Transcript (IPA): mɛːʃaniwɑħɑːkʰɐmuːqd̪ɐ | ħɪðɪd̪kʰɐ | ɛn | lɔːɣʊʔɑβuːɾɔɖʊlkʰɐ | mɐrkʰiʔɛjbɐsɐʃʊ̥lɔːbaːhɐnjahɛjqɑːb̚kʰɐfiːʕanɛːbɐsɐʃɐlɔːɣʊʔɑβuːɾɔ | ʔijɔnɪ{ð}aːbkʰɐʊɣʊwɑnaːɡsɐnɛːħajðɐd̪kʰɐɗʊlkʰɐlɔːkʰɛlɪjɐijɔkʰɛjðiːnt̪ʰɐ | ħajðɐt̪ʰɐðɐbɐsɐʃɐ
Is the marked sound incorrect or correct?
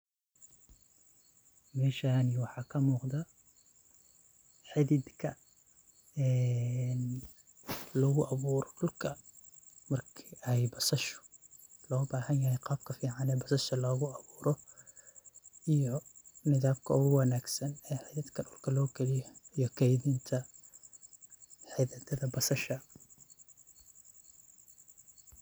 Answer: correct